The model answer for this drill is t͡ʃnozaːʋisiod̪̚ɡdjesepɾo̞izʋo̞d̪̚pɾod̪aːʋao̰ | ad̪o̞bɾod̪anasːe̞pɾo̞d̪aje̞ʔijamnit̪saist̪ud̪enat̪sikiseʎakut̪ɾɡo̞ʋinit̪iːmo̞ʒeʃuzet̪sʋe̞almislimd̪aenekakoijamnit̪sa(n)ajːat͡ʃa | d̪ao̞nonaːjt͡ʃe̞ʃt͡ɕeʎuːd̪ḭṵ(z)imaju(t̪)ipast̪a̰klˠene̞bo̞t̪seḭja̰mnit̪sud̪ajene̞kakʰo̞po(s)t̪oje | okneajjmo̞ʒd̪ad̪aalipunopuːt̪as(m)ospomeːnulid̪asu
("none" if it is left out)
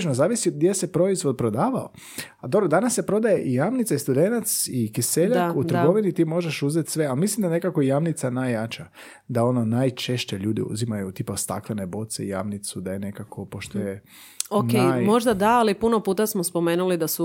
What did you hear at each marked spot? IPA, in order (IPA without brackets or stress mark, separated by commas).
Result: n, z, t̪, ʃ, m